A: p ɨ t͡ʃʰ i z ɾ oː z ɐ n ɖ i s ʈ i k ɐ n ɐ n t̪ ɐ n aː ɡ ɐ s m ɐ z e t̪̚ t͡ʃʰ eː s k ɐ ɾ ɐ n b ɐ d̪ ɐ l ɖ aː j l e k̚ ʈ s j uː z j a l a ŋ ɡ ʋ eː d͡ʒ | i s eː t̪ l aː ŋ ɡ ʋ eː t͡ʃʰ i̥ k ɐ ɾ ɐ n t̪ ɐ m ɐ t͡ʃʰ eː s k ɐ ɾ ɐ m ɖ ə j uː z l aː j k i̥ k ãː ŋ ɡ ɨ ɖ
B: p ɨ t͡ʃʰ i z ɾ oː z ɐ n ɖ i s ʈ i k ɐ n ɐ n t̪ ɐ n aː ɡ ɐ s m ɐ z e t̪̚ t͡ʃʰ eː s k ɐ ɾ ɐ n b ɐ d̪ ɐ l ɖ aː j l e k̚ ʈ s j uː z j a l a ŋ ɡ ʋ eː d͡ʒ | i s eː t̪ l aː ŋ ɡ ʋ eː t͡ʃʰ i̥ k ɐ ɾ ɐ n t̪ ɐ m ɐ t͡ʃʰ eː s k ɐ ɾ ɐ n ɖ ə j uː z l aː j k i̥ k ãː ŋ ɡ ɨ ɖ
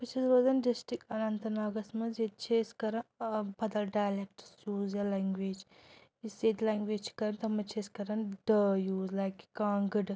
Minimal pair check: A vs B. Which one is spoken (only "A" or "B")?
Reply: B